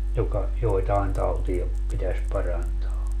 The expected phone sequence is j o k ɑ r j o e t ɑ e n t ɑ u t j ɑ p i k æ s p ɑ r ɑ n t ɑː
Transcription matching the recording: j o k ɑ j o e t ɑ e n t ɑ u t i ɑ p i t æ s p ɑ r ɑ n t ɑː